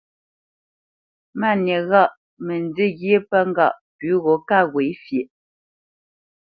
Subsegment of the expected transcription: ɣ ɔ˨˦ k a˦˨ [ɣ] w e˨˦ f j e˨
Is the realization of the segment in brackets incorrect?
no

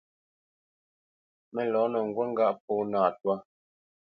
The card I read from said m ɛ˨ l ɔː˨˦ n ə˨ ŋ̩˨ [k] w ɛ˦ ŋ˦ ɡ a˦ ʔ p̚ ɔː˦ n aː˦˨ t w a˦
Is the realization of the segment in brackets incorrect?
yes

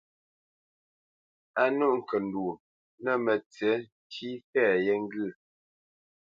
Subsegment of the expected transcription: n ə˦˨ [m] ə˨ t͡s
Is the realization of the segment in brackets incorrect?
no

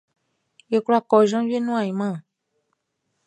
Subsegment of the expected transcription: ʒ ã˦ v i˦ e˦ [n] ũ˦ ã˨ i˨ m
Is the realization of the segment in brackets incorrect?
no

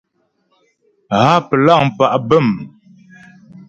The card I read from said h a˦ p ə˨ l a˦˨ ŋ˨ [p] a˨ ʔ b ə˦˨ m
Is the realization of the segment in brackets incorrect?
no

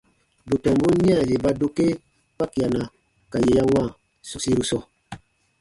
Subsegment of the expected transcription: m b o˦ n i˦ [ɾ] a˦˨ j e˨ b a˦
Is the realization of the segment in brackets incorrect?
yes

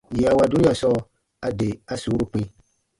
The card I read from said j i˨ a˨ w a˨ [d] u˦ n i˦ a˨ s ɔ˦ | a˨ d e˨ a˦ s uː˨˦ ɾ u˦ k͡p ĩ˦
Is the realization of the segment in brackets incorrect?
no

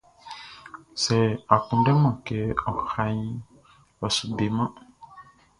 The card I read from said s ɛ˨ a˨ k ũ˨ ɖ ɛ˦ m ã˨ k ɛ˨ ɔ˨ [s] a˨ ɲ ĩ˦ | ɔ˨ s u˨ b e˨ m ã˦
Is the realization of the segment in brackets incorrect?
yes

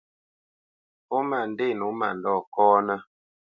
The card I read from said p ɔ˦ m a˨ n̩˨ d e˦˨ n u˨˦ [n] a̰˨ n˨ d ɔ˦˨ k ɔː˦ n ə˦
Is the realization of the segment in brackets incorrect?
yes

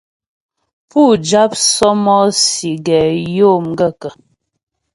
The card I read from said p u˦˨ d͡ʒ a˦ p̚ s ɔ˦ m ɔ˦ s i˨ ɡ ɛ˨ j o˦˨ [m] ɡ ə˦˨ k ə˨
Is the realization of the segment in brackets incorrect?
no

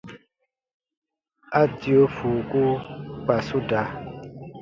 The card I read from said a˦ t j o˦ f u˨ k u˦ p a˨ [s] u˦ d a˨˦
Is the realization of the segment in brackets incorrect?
no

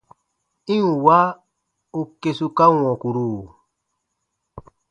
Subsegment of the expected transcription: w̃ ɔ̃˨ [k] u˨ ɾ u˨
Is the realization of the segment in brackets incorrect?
no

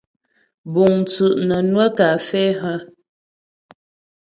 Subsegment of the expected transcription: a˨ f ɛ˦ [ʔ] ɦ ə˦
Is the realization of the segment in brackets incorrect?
yes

